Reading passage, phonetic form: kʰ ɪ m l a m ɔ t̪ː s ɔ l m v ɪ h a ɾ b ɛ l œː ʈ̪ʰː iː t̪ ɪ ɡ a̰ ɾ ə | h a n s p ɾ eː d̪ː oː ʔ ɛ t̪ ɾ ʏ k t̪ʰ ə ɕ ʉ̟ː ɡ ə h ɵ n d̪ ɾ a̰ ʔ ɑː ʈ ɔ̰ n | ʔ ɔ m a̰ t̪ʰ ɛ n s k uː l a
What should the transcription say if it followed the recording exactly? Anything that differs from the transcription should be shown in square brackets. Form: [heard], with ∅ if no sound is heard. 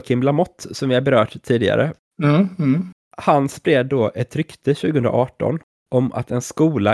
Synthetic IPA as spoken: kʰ ɪ m l a m ɔ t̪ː s ɔ [∅] m v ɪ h a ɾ b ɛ [ɾ] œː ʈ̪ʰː iː [d̪] ɪ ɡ a̰ ɾ ə | h a n s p ɾ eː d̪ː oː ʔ ɛ t̪ ɾ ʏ k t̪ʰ ə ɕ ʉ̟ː ɡ ə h ɵ n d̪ ɾ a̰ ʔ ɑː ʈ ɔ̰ n | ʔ ɔ m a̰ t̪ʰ ɛ n s k uː l a